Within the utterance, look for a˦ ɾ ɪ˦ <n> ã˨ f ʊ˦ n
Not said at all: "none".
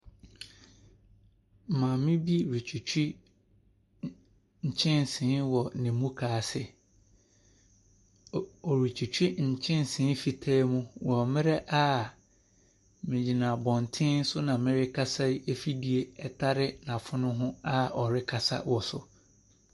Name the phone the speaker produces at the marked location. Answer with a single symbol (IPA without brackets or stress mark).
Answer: n